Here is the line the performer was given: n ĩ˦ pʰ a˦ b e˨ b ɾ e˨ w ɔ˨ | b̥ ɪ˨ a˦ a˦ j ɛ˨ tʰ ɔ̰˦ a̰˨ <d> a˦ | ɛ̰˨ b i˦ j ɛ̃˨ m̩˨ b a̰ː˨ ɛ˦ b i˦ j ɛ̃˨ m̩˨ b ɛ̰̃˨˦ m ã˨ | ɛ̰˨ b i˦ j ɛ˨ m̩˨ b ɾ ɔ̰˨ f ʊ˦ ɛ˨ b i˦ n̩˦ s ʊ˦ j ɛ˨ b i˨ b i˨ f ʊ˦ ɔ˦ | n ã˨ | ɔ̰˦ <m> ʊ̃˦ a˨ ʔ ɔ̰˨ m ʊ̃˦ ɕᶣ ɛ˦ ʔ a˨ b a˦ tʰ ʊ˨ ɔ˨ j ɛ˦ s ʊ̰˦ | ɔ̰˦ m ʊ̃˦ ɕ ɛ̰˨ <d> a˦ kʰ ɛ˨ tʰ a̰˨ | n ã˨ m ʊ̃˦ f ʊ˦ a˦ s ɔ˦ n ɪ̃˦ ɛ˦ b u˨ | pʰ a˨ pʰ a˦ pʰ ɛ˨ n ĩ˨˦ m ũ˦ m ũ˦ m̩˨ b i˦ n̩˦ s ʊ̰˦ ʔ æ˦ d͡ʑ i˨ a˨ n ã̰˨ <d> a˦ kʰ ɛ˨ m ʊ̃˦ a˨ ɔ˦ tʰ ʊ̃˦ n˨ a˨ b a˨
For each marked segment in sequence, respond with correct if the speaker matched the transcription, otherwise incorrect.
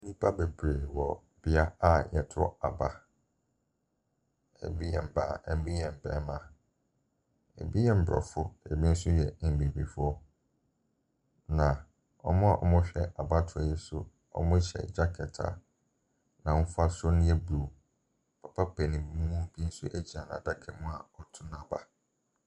incorrect: b, correct, incorrect: d͡ʑ, correct

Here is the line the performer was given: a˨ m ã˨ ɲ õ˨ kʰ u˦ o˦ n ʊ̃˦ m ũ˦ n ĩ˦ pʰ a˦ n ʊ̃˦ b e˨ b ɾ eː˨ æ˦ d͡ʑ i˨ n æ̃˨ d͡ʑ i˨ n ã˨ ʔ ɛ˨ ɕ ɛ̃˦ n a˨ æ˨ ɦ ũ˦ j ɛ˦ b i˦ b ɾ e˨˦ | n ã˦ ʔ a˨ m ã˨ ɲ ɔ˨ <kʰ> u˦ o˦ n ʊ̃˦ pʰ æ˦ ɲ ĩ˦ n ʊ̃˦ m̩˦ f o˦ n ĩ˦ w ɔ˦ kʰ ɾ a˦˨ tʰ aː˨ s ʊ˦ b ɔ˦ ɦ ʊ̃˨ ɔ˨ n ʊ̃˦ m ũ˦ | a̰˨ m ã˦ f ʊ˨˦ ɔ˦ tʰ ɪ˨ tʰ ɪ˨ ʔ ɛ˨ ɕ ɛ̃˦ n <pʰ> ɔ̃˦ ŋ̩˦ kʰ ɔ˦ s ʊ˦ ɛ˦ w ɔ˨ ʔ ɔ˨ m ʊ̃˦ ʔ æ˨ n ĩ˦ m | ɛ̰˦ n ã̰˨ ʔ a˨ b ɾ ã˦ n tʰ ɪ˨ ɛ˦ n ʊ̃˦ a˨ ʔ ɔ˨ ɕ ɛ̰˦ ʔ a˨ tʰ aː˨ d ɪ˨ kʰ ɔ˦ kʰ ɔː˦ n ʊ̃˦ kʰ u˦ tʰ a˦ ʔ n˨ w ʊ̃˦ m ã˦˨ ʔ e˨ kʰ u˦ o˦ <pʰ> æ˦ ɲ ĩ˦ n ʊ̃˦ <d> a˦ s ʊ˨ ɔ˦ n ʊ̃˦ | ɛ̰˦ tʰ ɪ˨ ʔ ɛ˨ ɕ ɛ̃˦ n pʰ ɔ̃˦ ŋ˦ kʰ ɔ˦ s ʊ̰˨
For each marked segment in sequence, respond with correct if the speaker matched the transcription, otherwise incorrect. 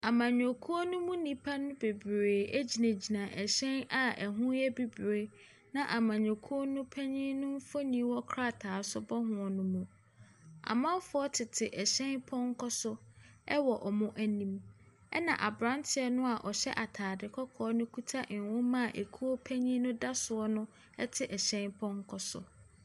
correct, correct, correct, correct

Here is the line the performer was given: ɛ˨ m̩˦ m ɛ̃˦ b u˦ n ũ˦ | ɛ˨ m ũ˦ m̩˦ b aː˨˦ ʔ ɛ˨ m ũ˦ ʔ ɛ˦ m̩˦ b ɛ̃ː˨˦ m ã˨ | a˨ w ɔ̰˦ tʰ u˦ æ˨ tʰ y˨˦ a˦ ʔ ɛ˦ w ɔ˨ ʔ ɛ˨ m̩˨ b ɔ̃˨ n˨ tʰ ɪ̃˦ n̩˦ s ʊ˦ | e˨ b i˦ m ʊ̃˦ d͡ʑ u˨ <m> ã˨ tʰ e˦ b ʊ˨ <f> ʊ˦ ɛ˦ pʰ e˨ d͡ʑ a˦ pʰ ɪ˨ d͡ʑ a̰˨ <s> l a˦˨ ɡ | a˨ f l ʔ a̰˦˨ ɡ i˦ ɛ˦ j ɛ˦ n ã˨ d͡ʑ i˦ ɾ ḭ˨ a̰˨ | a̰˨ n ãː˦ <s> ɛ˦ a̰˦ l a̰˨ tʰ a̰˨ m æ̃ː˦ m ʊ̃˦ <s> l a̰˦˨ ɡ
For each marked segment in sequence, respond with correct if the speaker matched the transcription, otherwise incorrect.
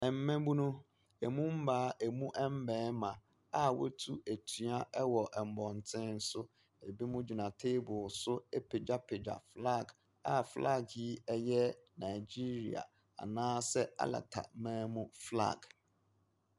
incorrect: n, incorrect: s, incorrect: f, correct, incorrect: f

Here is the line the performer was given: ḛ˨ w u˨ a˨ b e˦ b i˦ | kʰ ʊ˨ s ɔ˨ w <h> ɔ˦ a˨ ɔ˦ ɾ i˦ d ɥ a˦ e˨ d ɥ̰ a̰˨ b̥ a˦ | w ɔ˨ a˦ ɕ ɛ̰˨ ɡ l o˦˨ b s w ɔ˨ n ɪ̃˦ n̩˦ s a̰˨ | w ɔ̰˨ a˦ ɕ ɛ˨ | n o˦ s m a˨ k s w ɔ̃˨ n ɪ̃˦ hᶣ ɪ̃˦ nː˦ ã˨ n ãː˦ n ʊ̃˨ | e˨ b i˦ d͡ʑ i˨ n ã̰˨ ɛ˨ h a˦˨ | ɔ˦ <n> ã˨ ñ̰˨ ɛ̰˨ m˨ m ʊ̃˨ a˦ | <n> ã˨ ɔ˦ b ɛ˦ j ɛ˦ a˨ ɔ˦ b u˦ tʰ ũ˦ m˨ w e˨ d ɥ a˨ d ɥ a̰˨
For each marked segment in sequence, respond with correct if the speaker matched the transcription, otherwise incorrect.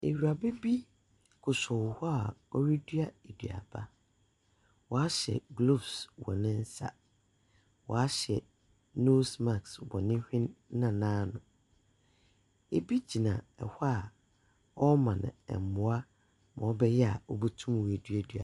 correct, incorrect: m, incorrect: m

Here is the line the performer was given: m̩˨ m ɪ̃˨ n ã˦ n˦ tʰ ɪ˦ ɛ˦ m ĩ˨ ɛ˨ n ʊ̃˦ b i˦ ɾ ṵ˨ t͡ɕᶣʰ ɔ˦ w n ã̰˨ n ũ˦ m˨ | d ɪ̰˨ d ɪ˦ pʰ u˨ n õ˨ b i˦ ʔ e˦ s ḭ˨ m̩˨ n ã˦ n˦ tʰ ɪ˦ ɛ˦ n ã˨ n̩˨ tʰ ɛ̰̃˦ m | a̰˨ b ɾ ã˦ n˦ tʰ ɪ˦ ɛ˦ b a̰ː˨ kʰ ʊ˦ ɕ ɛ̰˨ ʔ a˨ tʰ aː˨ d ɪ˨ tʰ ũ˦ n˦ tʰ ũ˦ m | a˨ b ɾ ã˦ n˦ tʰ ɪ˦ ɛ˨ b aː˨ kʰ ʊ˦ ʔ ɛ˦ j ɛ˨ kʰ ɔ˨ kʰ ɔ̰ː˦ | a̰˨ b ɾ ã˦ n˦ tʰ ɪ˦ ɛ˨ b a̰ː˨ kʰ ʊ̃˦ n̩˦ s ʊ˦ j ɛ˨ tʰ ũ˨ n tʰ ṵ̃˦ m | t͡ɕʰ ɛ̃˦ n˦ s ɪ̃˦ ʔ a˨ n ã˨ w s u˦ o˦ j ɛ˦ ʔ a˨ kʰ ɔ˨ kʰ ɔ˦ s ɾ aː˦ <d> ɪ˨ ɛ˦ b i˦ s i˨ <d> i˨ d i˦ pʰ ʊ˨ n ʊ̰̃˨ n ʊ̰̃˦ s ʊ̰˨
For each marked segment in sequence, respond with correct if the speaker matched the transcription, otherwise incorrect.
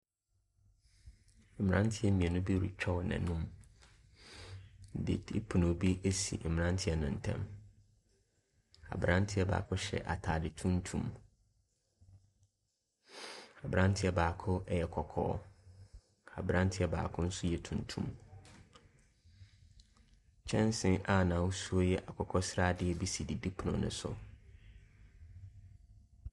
correct, correct

